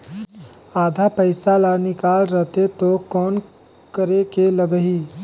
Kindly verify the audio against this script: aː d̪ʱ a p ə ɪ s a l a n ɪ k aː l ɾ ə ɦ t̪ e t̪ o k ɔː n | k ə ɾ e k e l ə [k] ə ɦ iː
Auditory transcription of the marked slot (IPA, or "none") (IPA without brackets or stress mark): ɡ